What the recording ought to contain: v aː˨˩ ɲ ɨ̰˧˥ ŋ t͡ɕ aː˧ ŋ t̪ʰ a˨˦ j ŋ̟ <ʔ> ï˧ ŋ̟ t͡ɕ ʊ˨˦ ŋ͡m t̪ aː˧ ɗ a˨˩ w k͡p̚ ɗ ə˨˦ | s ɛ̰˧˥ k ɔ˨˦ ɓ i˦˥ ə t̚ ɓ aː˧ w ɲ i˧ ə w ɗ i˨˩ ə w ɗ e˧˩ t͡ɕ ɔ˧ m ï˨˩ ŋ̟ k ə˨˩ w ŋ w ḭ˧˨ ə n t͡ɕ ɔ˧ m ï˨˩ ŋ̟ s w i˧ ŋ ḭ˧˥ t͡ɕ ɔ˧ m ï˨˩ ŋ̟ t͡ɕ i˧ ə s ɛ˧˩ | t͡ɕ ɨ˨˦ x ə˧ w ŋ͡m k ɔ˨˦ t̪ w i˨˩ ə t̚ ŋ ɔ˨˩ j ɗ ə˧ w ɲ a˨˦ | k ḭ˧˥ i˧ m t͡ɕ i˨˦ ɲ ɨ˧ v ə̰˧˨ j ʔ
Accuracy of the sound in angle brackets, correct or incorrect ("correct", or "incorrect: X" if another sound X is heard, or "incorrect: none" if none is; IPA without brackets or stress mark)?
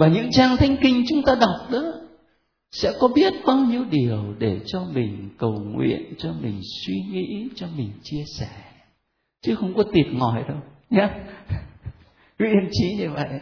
incorrect: k